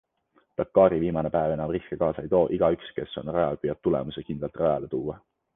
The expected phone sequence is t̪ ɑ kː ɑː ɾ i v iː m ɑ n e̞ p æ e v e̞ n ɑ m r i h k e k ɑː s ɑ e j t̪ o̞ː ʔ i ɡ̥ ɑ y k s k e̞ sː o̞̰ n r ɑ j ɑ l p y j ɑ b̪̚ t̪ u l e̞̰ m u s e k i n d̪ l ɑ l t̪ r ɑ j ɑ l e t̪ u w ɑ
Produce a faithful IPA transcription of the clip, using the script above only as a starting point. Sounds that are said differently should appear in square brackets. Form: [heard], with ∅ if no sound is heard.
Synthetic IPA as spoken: t̪ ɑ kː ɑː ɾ i v iː m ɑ n e̞ p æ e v e̞ n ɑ m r i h k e k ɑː s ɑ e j t̪ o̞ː ʔ i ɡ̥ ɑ y k s k e̞ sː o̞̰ n r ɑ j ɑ l p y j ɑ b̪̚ t̪ u l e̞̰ m u s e k i n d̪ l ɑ l t̪ r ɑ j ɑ l e t̪ [uː] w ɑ